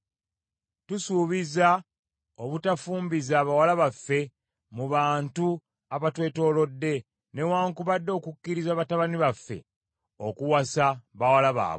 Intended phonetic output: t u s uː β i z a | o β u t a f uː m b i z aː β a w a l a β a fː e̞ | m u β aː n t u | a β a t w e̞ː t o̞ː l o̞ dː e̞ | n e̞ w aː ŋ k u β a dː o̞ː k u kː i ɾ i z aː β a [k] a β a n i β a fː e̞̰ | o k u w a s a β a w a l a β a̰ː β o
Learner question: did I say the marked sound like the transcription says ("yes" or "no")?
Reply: no